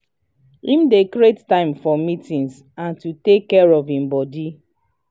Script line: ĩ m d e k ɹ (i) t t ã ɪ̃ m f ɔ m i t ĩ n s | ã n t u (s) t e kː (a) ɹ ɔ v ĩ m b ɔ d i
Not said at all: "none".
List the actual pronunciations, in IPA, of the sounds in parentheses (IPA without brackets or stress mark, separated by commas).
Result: e, none, ɛ